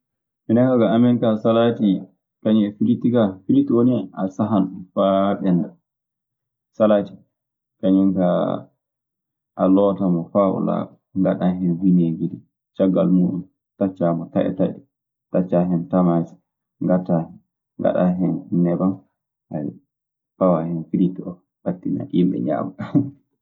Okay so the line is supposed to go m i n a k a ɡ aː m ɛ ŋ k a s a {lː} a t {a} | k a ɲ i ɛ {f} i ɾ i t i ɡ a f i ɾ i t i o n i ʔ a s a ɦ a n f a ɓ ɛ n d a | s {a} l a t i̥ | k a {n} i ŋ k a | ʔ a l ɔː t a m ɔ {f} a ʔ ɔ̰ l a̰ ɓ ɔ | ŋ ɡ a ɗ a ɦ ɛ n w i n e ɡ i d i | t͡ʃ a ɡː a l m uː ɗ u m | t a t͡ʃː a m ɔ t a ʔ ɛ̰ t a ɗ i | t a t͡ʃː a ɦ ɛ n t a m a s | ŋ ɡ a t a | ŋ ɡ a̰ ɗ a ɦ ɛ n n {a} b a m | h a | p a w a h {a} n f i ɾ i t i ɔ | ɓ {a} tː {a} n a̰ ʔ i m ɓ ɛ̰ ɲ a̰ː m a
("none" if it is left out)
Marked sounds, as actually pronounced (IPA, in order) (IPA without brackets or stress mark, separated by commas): l, i, f, a, ɲ, f, ɛ, ɛ, a, i